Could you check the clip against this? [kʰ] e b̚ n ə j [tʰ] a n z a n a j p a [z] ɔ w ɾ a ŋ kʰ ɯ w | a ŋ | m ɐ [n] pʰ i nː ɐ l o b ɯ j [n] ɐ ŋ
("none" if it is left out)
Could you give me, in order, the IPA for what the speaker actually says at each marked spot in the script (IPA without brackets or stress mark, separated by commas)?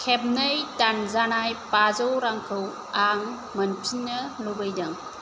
kʰ, t, z, n, d